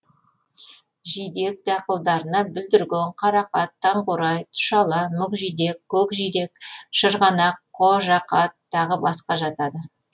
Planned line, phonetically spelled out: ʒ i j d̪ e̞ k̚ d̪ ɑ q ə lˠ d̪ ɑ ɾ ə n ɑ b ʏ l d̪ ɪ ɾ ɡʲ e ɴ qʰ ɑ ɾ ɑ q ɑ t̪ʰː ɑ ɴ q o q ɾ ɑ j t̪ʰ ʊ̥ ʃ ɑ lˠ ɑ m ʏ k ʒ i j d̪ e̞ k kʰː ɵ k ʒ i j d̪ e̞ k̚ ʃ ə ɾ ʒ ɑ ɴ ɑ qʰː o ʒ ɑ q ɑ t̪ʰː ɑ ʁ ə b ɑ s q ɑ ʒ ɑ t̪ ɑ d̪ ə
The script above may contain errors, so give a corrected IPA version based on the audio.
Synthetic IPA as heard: ʒ i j d̪ e̞ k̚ d̪ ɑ q ə lˠ d̪ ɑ ɾ ə n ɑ b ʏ l d̪ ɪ ɾ ɡʲ e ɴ qʰ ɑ ɾ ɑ q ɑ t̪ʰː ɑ ɴ q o ɾ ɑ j t̪ʰ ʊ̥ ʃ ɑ lˠ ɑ m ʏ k ʒ i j d̪ e̞ k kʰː ɵ k ʒ i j d̪ e̞ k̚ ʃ ə ɾ ʁ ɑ n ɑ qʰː o ʒ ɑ q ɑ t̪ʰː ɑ ʁ ə b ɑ s q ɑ ʒ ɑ t̪ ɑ d̪ ə